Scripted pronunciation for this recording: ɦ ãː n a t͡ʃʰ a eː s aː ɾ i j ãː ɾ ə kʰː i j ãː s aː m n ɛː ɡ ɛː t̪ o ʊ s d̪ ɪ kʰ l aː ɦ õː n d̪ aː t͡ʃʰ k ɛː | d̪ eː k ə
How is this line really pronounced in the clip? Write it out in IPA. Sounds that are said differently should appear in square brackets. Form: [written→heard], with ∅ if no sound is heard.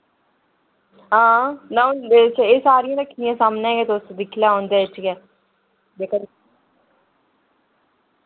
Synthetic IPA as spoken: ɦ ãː n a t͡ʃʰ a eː s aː ɾ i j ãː ɾ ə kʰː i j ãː s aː m n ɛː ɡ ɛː t̪ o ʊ s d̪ ɪ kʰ l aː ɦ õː n d̪ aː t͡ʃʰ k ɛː | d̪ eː k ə